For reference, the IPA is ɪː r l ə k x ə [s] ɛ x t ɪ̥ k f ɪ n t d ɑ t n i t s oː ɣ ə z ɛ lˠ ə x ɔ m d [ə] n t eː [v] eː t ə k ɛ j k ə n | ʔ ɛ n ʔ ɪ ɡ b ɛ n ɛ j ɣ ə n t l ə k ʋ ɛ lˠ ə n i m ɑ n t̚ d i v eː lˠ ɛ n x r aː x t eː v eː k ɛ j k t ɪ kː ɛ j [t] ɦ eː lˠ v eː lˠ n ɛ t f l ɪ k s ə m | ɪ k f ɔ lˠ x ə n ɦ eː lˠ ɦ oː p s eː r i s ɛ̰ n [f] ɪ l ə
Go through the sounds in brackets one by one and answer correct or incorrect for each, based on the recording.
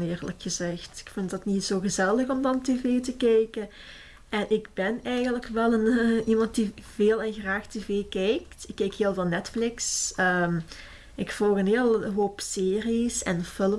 incorrect: z, incorrect: ɑ, correct, incorrect: k, correct

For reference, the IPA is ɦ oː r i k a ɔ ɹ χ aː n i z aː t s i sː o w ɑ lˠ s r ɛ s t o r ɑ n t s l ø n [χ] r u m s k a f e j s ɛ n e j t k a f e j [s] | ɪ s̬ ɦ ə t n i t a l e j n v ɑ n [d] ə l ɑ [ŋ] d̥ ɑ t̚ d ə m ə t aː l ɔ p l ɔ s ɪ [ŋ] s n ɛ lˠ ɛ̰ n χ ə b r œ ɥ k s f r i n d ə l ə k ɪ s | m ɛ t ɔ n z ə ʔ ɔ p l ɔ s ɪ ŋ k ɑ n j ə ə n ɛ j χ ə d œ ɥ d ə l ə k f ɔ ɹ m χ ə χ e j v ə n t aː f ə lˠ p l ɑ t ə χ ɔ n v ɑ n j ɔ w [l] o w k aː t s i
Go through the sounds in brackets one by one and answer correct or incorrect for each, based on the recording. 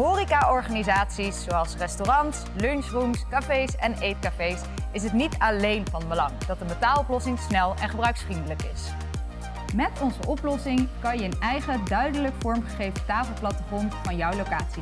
incorrect: s, correct, incorrect: b, correct, correct, correct

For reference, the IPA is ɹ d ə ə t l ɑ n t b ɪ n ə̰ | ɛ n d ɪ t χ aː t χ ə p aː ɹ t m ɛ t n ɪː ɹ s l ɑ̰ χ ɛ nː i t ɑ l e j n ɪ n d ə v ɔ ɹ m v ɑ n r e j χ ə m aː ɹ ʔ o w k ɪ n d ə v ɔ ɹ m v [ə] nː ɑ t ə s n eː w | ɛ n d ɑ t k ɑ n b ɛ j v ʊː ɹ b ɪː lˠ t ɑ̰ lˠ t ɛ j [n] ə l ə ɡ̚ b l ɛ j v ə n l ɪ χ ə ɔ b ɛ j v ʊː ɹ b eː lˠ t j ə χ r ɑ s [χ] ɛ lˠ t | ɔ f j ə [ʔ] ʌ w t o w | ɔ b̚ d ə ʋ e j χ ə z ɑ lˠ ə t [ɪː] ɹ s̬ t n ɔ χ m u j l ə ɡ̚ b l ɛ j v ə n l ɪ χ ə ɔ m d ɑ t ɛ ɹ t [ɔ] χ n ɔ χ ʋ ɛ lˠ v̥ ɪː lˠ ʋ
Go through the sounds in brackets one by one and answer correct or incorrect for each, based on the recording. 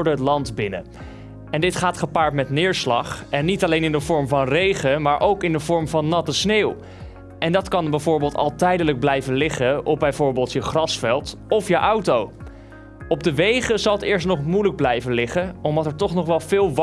incorrect: ɑ, incorrect: d, incorrect: f, correct, correct, correct

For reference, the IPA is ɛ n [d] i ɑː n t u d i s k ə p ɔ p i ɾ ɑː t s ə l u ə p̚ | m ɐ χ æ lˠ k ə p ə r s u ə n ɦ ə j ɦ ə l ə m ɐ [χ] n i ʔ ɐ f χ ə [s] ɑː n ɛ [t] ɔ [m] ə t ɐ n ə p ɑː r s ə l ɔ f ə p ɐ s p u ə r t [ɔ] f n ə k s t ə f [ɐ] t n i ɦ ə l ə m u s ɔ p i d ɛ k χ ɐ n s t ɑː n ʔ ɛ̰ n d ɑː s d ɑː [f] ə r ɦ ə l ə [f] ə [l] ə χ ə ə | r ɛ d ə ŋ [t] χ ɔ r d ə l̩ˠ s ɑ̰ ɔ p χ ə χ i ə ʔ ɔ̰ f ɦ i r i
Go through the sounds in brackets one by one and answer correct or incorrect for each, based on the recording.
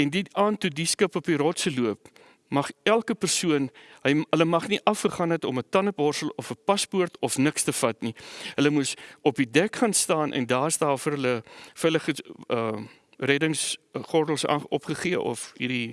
correct, correct, incorrect: χ, correct, correct, correct, correct, correct, correct, correct, incorrect: s

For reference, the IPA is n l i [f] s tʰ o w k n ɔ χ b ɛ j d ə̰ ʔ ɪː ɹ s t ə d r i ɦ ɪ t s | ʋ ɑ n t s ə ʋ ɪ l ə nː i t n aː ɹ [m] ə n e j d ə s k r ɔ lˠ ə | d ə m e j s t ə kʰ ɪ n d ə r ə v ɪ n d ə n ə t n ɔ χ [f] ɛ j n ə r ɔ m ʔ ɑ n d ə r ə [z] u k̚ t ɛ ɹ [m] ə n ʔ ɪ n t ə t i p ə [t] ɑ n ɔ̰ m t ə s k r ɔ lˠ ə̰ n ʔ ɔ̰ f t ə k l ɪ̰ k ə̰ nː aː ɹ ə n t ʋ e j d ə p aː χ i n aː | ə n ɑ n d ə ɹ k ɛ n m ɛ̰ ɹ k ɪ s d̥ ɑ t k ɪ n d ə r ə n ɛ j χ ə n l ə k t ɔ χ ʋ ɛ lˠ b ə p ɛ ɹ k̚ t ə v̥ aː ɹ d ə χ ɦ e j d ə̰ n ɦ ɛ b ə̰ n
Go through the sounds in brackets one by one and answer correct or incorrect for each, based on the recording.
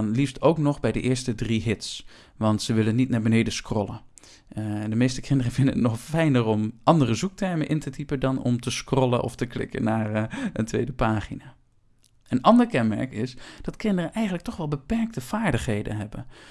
correct, incorrect: b, correct, correct, correct, incorrect: d

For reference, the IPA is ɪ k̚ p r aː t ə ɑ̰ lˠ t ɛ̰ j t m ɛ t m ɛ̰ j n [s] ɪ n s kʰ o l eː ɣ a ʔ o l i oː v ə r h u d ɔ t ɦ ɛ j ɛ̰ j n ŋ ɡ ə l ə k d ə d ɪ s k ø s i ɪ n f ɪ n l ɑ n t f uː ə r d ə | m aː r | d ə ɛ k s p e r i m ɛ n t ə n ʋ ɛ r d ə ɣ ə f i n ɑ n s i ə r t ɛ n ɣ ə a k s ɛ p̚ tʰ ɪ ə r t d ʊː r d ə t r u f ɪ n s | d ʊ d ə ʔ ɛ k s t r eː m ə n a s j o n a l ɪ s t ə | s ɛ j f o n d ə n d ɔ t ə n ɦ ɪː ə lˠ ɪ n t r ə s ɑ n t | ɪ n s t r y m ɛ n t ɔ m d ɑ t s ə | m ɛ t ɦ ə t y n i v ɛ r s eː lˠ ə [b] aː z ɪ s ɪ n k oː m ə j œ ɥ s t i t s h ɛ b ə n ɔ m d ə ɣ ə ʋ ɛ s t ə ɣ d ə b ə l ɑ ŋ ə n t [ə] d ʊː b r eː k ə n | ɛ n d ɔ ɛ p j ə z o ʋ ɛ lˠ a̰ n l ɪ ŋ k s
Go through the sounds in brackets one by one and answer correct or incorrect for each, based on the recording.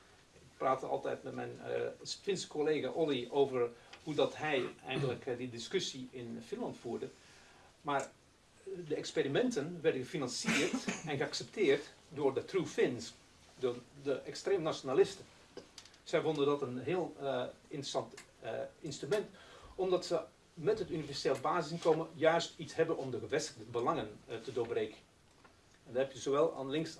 incorrect: f, correct, correct

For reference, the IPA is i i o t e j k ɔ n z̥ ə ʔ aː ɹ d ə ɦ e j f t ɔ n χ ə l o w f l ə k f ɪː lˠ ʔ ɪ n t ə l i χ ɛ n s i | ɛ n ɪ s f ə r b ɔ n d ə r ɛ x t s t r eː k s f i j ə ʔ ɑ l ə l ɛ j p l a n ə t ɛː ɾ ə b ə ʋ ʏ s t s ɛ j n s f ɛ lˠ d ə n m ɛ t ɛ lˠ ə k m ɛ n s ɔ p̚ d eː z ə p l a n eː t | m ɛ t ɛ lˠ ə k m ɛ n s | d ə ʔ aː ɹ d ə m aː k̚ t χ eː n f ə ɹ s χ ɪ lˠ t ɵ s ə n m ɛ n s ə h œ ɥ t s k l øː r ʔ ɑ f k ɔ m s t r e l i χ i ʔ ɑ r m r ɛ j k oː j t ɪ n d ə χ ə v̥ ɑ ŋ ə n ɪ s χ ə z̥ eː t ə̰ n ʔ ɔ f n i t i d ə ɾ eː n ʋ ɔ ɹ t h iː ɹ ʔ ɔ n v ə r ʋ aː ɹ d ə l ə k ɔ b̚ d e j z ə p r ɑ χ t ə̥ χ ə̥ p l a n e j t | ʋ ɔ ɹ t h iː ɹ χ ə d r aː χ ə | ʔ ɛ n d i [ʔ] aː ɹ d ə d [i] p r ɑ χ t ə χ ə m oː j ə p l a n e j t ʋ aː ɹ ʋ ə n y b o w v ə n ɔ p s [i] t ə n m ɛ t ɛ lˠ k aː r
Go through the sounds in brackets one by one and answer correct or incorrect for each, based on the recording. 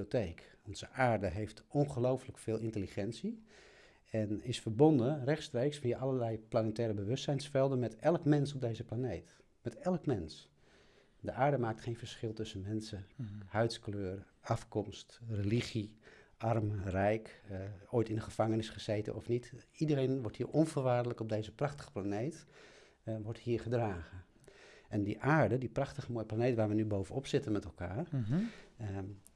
correct, correct, incorrect: ɪ

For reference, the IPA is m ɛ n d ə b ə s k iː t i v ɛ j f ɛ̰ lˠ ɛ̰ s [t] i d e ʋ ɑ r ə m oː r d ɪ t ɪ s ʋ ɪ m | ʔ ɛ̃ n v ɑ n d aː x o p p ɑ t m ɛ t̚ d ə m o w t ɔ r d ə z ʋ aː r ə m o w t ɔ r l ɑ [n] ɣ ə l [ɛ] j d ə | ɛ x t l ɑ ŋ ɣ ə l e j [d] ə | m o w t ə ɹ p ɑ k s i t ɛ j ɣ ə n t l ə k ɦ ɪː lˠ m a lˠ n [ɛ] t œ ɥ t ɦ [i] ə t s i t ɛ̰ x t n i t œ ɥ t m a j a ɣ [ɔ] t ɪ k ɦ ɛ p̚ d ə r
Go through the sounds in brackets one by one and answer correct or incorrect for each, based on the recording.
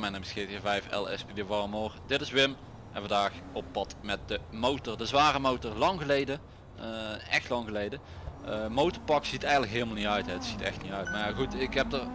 incorrect: p, incorrect: ŋ, incorrect: e, correct, incorrect: i, incorrect: ɛ, incorrect: u

